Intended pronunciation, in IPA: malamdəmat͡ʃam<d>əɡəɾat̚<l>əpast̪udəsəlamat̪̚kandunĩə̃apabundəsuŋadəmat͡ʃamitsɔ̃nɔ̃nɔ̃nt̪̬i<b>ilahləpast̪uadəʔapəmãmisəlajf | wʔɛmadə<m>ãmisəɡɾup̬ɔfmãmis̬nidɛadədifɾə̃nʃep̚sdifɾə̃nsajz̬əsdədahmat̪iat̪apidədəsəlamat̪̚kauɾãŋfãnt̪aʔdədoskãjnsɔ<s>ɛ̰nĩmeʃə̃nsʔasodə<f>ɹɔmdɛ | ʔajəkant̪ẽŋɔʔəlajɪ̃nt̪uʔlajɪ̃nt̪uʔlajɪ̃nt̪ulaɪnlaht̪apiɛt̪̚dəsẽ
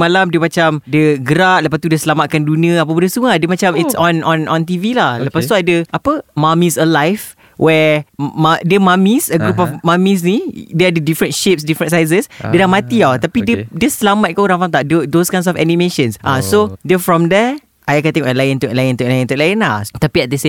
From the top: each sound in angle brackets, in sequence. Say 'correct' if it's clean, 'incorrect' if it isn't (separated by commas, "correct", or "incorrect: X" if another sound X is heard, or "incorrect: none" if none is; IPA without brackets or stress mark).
correct, correct, incorrect: v, correct, incorrect: f, correct